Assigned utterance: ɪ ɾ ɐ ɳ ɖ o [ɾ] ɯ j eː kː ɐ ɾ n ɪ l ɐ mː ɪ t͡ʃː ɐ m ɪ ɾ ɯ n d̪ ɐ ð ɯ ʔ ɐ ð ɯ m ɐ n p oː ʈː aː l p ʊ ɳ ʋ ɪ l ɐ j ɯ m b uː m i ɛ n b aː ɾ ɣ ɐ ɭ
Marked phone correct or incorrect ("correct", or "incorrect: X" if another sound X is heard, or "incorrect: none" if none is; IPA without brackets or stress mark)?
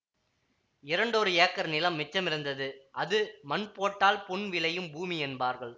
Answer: correct